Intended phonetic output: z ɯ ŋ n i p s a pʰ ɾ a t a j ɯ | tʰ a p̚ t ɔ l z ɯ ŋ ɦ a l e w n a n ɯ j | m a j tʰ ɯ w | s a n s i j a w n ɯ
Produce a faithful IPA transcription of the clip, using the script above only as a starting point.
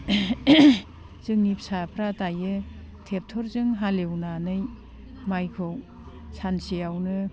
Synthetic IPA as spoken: z ɯ ŋ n i p s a pʰ ɾ a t a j ɯ | tʰ e p̚ tʰ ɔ ɾ z ɯ ŋ ɦ a l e w n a n ɯ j | m a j kʰ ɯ w | s a n s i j a w n ɯ